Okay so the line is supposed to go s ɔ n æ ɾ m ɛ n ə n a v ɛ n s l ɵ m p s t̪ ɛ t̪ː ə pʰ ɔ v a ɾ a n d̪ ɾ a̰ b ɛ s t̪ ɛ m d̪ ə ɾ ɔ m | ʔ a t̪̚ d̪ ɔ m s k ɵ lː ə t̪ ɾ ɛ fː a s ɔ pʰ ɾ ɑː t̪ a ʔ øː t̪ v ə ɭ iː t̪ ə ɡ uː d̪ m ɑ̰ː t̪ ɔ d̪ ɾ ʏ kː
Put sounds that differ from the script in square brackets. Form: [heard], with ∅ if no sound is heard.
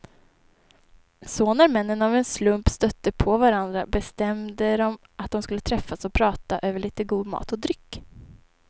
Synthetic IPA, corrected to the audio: s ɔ n æ ɾ m ɛ [nː] ə n a v ɛ n s l ɵ m p s t̪ [œ] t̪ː ə pʰ ɔ v a ɾ a n d̪ ɾ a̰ b ɛ s t̪ ɛ m d̪ ə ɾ ɔ m | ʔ a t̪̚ d̪ ɔ m s k ɵ lː ə [t̪ʰ] ɾ ɛ fː a s ɔ pʰ ɾ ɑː t̪ a ʔ øː [∅] v ə ɭ iː t̪ ə ɡ uː d̪ m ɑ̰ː t̪ ɔ d̪ ɾ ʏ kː